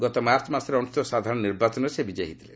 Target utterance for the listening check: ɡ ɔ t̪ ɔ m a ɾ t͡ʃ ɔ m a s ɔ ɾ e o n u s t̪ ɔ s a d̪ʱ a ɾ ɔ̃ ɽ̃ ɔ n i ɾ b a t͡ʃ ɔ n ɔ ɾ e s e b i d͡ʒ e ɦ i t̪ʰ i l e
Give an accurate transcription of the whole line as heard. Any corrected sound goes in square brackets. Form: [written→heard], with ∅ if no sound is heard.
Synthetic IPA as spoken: ɡ ɔ t̪ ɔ m a ɾ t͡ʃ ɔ m a s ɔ ɾ e [o→ɔ] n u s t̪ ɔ s a d̪ʱ a ɾ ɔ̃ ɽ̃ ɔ n i ɾ b a t͡ʃ ɔ n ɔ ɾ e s e b i d͡ʒ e ɦ i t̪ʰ i l e